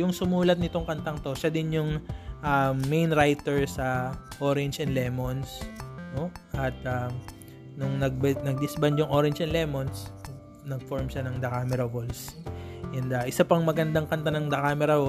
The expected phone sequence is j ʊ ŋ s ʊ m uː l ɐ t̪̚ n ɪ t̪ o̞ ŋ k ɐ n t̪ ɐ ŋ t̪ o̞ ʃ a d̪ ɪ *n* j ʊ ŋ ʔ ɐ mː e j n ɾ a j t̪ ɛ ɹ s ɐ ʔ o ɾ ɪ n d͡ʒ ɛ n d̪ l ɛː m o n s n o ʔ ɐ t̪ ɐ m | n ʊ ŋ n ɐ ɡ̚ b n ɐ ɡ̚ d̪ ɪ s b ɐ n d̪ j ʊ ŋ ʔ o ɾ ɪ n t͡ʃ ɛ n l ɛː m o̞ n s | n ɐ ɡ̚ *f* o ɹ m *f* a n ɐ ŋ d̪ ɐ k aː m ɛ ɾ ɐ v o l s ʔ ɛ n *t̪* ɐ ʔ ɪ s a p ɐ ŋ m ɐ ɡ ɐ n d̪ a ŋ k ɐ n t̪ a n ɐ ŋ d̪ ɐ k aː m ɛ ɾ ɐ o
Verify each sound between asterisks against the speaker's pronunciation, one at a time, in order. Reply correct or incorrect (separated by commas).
correct, correct, incorrect, incorrect